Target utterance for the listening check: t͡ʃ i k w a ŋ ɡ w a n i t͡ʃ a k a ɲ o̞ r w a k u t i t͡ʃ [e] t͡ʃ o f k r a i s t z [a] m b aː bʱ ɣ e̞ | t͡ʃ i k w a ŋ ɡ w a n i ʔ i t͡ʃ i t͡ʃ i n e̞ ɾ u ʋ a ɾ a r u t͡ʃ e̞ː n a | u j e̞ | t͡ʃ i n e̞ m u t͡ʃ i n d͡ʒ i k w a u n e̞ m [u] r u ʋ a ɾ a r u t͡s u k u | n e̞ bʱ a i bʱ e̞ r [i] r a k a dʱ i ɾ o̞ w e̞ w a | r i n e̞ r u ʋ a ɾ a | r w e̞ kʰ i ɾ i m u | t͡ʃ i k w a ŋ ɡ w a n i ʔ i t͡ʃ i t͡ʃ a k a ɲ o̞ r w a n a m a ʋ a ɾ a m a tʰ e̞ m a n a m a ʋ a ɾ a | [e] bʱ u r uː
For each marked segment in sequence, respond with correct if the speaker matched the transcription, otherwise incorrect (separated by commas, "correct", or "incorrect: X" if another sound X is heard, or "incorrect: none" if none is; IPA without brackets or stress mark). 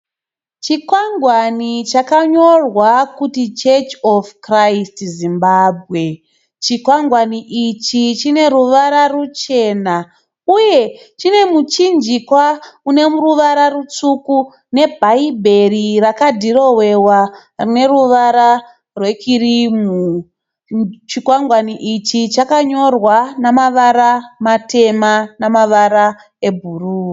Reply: correct, incorrect: i, correct, correct, correct